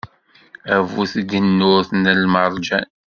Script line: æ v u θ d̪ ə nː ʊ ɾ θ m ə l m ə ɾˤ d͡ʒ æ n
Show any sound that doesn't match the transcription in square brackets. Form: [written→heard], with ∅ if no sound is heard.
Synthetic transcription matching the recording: æ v u θ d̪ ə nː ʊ ɾ θ [m→n] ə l m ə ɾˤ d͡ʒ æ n